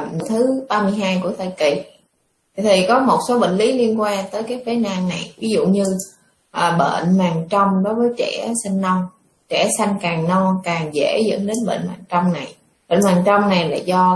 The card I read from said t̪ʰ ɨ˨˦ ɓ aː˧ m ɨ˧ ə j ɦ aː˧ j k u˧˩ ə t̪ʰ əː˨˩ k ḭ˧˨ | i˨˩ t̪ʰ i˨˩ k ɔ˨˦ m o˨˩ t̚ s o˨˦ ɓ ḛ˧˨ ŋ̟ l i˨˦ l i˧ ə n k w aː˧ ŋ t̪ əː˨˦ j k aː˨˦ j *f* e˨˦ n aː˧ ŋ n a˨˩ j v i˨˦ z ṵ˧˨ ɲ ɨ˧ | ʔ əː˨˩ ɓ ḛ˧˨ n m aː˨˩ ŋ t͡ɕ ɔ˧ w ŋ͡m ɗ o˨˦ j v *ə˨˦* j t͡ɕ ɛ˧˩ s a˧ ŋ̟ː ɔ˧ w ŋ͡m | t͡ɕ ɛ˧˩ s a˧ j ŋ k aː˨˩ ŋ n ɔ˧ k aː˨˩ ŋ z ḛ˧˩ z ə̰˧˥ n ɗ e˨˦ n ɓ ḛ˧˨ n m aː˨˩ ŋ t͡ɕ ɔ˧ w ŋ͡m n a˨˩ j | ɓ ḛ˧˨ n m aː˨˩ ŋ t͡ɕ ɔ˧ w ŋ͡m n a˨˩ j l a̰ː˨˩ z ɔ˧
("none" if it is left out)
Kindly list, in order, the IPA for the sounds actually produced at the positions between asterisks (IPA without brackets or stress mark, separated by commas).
f, əː˨˦